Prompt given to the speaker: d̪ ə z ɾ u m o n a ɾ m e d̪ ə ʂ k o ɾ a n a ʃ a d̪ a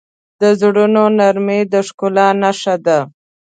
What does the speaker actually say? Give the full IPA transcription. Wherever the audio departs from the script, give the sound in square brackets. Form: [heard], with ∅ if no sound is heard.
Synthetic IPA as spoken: d̪ ə z [ɽ] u [n] o n a ɾ m e d̪ ə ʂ k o [l] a n a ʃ a d̪ a